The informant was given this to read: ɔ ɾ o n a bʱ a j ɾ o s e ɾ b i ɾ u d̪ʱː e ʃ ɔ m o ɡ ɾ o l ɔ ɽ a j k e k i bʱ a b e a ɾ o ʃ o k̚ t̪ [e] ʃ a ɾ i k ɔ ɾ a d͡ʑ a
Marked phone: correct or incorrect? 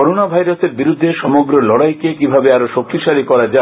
incorrect